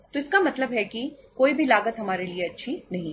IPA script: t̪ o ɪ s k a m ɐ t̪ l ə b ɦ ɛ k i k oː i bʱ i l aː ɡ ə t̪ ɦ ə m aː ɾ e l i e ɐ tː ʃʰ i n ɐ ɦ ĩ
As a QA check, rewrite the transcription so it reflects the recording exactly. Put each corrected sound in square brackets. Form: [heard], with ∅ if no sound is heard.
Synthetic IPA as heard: t̪ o ɪ s k a m ɐ t̪ l ə b ɦ ɛ k i k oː i bʱ i l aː ɡ ə t̪ ɦ [ɐ] m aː ɾ e l i e ɐ tː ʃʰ i n ɐ ɦ ĩ